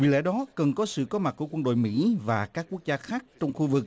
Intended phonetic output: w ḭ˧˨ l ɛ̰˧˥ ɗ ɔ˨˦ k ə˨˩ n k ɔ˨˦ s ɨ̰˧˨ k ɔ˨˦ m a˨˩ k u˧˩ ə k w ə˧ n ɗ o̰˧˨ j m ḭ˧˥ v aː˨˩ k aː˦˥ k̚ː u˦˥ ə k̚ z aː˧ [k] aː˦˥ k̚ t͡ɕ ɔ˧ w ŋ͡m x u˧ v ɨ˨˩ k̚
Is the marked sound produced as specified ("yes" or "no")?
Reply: no